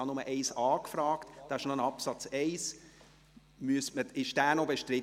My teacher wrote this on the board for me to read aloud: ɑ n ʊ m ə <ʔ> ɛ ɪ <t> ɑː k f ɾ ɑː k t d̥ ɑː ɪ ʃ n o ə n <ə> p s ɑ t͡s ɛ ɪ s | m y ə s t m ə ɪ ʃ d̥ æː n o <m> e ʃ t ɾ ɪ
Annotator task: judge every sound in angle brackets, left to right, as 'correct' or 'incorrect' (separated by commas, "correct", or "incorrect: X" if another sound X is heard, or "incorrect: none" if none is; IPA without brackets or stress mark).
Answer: correct, incorrect: s, incorrect: ɑ, incorrect: b